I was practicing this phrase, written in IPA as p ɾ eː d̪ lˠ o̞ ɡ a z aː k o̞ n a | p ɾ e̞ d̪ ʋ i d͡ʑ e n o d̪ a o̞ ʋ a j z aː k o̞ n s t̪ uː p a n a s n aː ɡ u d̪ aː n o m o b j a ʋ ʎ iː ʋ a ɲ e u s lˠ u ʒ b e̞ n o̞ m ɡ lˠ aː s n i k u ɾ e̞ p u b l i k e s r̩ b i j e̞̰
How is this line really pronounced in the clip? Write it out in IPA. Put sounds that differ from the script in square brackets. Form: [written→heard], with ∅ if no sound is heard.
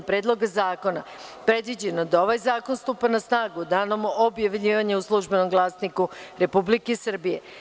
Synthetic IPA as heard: p ɾ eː d̪ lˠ o̞ ɡ a z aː k o̞ n a | p ɾ e̞ d̪ ʋ i d͡ʑ e n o d̪ a o̞ ʋ a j z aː k o̞ n s t̪ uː p a n a s n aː ɡ u d̪ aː n o m o b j a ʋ ʎ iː ʋ a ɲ e u s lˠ u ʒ b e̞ n o̞ m ɡ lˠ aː s n i k u ɾ e̞ p u b l i k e s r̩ b i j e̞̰